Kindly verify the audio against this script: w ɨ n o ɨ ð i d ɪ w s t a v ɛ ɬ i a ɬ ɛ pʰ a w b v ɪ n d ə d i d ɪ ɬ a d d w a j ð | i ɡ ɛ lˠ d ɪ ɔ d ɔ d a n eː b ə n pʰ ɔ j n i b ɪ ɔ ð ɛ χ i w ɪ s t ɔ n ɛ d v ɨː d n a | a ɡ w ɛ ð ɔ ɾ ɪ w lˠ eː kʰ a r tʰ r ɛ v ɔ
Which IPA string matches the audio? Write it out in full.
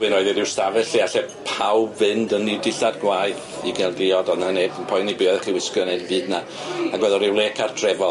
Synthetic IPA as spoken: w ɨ n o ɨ ð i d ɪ w s t a v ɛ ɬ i a ɬ ɛ pʰ a w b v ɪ n d ə n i d ɪ ɬ a d ɡ w a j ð | i ɡ ɛ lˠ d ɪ ɔ d ɔ n a n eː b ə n pʰ ɔ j n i b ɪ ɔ ð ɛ χ i w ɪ s k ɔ n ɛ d v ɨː d n a | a ɡ w ɛ ð ɔ ɾ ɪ w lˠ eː kʰ a r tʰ r ɛ v ɔ

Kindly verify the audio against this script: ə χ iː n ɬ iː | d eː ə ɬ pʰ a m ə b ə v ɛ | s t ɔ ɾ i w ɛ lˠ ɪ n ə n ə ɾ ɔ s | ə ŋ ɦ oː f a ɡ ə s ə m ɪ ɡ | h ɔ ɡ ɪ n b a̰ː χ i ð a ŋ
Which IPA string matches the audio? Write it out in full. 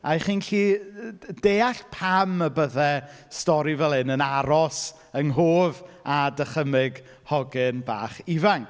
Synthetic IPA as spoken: a χ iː n ɬ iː | d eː a ɬ pʰ a m ə b ə ð ɛ | s t ɔ ɾ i v ɛ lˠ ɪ n ə n a ɾ ɔ s | ə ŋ ɦ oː v a d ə χ ə m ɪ ɡ | h ɔ ɡ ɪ n b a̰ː χ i v a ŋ

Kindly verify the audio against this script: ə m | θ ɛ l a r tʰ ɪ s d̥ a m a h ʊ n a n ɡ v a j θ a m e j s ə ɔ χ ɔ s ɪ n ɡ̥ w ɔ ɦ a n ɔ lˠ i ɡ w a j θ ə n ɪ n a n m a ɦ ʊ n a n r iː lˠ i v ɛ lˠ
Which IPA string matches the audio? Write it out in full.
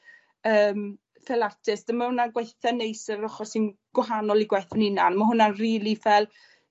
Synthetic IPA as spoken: əː m | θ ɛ l a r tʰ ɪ s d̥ ə m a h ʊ n a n ɡ w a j θ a n e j s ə ɔ χ ɔ s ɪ n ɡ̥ w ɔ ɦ a n ɔ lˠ i ɡ w a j θ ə n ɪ n a n m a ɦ ʊ n a n r iː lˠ i v ɛ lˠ

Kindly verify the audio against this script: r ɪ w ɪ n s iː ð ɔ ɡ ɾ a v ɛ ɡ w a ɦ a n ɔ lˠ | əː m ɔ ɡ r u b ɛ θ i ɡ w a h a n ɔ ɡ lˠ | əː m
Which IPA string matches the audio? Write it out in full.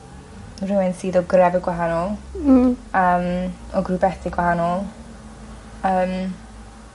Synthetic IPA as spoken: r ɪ w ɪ n s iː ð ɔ ɡ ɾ ɛ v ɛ ɡ w a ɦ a n ɔ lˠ | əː m ɔ ɡ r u b ɛ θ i ɡ w a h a n ɔ lˠ | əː m

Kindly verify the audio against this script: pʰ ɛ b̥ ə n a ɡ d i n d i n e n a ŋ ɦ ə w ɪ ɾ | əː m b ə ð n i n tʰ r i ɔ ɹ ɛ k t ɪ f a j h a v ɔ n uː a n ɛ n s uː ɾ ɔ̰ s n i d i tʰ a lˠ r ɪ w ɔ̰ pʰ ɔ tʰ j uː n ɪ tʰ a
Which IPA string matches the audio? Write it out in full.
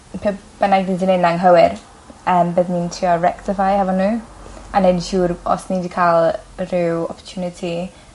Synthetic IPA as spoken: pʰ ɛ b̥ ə n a ɡ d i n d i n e n a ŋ ɦ ə w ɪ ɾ | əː m b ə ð n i n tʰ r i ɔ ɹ ɛ k t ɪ f a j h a v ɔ n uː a n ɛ n ʃ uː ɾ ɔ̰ s n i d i kʰ a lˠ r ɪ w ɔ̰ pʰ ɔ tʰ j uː n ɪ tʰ i

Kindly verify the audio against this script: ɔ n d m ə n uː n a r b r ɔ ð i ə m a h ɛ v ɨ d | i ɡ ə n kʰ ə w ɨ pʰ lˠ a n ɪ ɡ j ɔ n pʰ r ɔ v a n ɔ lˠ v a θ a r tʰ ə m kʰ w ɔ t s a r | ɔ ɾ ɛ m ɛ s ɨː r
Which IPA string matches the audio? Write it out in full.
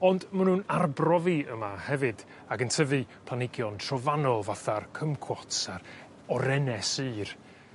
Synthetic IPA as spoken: ɔ n d m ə n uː n a r b r ɔ v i ə m a h ɛ v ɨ d | a ɡ ə n tʰ ə v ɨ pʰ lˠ a n ɪ ɡ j ɔ n tʰ r ɔ v a n ɔ lˠ v a θ a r kʰ ə m kʰ w ɔ t s a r | ɔ ɾ ɛ n ɛ s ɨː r

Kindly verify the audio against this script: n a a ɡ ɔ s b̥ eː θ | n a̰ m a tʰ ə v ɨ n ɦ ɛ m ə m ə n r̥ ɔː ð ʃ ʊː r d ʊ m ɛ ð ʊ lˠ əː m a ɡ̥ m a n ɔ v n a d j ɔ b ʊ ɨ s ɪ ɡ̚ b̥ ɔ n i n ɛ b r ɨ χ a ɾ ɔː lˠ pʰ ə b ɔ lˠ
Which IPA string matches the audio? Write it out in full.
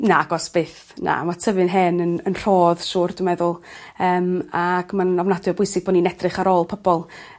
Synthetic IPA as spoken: n a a ɡ ɔ s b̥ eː θ | n a̰ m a tʰ ə v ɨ n ɦ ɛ n ə n ə n r̥ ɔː ð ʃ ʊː r d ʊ m ɛ ð ʊ lˠ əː m a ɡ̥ m a n ɔ v n a d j ɔ b ʊ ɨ s ɪ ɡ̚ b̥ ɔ n i n ɛ d r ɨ χ a ɾ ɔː lˠ pʰ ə b ɔ lˠ

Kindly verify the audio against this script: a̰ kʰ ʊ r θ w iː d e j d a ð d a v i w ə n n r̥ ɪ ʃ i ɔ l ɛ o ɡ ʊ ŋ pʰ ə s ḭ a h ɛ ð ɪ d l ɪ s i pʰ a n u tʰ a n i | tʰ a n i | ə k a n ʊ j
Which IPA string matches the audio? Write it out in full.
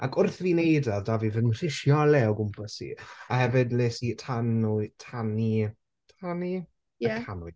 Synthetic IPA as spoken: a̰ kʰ ʊ r θ v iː n e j d a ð d a v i v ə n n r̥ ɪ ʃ j ɔ l ɛ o ɡ ʊ m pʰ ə s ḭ a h ɛ v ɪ d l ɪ s i tʰ a n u tʰ a n i | tʰ a n i | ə k a n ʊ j

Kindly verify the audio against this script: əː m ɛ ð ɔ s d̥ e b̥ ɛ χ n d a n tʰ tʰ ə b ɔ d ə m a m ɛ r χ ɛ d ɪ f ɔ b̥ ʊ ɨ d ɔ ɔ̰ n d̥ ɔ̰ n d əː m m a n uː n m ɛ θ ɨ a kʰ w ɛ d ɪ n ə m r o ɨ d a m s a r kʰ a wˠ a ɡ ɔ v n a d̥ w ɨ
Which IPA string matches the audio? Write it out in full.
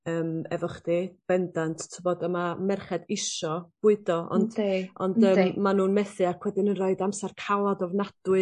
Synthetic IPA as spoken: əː m ɛ v ɔ χ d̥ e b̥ ɛ n d a n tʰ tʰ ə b ɔ d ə m a m ɛ r χ ɛ d ɪ ʃ ɔ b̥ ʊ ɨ d ɔ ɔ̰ n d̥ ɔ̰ n d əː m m a n uː n m ɛ θ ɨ a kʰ w ɛ d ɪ n ə n r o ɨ d a m s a r kʰ a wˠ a d ɔ v n a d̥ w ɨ

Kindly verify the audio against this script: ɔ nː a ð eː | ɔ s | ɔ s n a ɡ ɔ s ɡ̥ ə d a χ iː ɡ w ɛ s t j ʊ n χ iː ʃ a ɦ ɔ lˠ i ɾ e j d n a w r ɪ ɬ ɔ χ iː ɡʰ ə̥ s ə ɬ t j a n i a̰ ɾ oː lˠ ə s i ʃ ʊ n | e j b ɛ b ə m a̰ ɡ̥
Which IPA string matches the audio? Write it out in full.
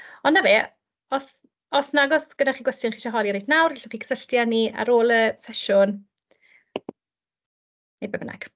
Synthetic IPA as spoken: ɔ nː a v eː | ɔ s | ɔ s n a ɡ ɔ s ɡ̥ ə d a χ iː ɡ w ɛ s t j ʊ n χ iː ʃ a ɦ ɔ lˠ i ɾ e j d n a w r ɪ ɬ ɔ χ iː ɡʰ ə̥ s ə ɬ t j a n i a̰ ɾ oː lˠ ə s ɛ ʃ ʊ n | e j b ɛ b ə n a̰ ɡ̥

